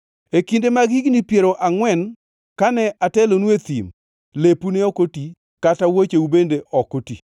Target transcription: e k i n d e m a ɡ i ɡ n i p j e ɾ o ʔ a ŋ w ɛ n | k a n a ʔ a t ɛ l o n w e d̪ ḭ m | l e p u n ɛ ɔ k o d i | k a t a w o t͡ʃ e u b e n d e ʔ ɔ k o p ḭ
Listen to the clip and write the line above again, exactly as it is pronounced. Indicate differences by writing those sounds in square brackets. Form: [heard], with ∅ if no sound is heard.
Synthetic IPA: e k i n d e m a ɡ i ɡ n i p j e ɾ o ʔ a ŋ w ɛ n | k a n [ɛ] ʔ a t ɛ l o n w e [t̪] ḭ m | l e p u n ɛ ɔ k o [t] i | k a t a w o t͡ʃ e u b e n d e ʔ ɔ k o [t] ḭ